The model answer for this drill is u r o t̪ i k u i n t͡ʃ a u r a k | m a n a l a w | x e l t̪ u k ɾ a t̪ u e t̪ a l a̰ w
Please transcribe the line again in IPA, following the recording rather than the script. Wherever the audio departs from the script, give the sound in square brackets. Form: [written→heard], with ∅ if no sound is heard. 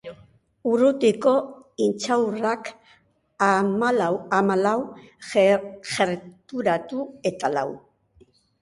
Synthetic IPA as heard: u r [o→u] t̪ i k [u→o] i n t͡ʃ a [u→w] r a k | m a [n→m] a l a w | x e [l→ɾ] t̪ u [k→∅] ɾ a t̪ u e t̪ a l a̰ w